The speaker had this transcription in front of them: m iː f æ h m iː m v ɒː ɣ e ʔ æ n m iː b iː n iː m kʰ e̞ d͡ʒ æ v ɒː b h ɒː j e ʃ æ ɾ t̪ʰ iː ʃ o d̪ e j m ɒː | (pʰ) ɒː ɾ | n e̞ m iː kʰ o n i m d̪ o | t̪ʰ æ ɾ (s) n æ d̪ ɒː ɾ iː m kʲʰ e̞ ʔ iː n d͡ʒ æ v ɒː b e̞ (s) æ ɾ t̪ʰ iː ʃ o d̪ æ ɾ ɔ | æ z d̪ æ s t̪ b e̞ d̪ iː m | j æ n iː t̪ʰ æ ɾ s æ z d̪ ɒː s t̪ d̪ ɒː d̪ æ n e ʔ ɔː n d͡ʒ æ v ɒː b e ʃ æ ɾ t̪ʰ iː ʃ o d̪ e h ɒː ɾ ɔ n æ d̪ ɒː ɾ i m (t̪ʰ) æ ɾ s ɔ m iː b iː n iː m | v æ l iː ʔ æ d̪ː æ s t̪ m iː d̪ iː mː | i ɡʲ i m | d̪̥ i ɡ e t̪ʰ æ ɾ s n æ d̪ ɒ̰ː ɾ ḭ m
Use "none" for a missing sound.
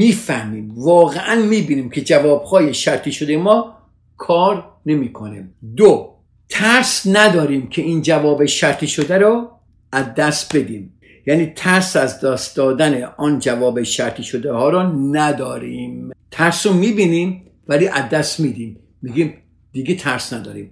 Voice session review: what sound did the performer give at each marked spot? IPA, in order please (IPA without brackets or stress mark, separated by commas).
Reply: kʰ, s, ʃ, t̪ʰ